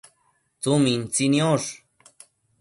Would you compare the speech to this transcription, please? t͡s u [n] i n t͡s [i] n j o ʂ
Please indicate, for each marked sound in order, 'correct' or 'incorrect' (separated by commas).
incorrect, correct